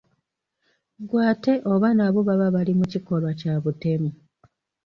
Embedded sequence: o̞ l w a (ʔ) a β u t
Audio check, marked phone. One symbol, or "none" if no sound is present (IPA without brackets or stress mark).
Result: c